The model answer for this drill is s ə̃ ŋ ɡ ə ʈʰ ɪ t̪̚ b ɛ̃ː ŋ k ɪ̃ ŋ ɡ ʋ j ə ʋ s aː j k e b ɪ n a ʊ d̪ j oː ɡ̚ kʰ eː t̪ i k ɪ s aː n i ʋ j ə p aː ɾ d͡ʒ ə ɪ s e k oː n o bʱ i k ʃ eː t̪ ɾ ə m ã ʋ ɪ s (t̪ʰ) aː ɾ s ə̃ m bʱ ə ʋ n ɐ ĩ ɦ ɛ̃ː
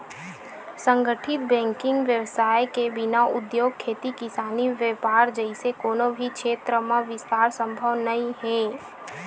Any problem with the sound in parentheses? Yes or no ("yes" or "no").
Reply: yes